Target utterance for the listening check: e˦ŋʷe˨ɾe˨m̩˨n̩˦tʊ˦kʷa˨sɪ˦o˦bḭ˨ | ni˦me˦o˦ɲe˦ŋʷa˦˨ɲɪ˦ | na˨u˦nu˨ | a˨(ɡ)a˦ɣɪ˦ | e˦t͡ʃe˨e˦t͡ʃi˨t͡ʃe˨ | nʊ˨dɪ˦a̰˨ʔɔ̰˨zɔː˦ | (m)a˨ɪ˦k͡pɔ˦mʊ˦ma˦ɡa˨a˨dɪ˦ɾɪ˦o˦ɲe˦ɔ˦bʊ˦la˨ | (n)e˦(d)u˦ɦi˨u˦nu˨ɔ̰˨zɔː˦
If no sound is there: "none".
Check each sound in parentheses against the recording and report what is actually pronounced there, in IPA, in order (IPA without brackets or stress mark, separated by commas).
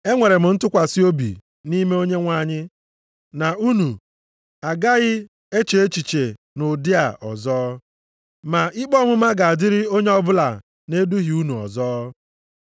ɡ, m, n, d